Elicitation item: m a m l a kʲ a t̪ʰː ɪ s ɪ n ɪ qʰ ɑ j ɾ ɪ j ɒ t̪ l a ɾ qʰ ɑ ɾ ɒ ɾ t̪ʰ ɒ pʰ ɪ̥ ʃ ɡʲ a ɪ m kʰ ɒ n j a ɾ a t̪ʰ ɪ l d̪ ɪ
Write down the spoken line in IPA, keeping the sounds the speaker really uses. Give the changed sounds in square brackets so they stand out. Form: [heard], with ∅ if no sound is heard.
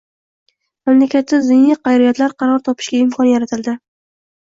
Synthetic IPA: m a m l a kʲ a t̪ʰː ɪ [z] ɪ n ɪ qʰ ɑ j ɾ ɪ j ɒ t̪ l a ɾ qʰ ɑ ɾ ɒ ɾ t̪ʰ ɒ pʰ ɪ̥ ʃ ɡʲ a ɪ m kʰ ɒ n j a ɾ a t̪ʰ ɪ l d̪ ɪ